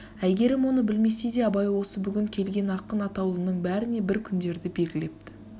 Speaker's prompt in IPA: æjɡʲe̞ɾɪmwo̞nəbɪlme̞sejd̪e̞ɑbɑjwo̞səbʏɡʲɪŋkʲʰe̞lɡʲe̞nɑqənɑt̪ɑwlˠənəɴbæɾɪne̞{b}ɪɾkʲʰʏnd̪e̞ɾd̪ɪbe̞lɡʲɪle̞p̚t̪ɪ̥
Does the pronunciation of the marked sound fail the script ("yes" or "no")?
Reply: no